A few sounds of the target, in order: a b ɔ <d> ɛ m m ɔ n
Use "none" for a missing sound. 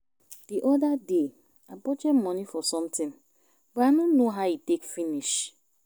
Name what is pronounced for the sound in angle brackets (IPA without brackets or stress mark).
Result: d͡ʒ